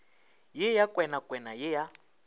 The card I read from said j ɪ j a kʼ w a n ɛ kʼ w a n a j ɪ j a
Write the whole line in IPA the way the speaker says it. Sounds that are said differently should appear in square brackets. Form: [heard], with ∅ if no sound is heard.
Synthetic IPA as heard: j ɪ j a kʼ w [ɛ] n [a] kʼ w [ɛ] n a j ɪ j a